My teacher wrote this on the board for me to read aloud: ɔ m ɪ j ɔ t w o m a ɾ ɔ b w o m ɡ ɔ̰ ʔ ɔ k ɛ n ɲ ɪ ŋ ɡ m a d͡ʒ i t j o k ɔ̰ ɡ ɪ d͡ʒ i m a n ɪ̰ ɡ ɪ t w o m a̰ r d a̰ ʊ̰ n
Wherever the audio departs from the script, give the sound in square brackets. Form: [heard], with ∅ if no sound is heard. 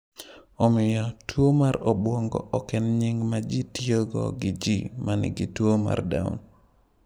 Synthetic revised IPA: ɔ m ɪ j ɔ t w o m a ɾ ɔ b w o [ŋ] ɡ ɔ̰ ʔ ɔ k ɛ n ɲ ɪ ŋ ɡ m a d͡ʒ i t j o [ɡ] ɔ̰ ɡ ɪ d͡ʒ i m a n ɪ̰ ɡ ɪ t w o m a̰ r d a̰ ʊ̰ n